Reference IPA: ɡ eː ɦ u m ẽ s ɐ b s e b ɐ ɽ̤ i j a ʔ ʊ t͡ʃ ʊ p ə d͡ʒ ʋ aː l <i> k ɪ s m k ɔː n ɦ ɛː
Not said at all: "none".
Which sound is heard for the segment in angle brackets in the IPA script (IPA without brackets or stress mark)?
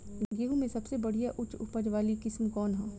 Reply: i